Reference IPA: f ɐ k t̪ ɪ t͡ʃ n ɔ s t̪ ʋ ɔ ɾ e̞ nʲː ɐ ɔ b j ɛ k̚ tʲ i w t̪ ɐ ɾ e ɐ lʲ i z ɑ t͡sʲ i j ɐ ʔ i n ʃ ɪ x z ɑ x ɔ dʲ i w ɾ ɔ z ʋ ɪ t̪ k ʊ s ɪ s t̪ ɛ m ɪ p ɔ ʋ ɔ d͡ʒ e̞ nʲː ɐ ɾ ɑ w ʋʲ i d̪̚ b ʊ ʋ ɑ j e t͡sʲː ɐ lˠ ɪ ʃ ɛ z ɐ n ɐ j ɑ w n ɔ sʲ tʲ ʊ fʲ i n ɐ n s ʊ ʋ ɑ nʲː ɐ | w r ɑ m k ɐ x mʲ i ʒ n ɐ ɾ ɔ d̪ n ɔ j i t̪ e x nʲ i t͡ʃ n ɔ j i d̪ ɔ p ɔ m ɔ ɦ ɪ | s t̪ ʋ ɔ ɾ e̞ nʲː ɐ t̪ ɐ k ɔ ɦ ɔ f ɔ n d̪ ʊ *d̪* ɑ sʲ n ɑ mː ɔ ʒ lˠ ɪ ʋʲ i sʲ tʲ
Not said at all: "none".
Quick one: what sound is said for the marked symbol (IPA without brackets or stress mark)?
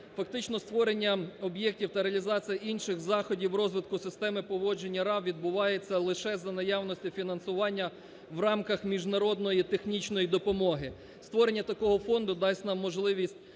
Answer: d̪